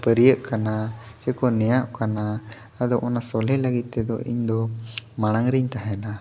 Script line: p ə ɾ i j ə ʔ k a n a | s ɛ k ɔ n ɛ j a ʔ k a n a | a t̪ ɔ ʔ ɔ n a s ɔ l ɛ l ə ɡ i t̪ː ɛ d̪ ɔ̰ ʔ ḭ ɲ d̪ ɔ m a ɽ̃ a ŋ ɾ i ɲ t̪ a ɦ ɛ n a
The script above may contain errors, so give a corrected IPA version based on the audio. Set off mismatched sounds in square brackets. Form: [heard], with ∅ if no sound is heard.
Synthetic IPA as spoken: p ə ɾ i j ə ʔ k a n a | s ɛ k ɔ n ɛ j a ʔ k a n a | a [d̪] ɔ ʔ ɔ n a s ɔ l ɛ l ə ɡ i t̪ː ɛ d̪ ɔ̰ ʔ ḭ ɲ d̪ ɔ m a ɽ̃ a ŋ ɾ i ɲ t̪ a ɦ ɛ n a